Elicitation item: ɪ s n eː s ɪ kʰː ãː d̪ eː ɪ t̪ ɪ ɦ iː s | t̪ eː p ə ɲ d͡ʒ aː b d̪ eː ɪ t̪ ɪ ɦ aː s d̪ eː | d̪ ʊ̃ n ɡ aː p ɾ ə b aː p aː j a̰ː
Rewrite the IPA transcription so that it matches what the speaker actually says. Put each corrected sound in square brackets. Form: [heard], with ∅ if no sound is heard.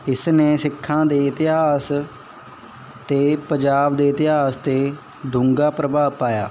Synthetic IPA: ɪ s n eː s ɪ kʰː ãː d̪ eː ɪ t̪ ɪ ɦ [aː] s | t̪ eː p ə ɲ d͡ʒ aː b d̪ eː ɪ t̪ ɪ ɦ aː s [t̪] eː | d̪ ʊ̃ [ŋ] ɡ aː p ɾ ə b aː p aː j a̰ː